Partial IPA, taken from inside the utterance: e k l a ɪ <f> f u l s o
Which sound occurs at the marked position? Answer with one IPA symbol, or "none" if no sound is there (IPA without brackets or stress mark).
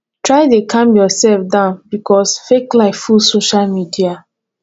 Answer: f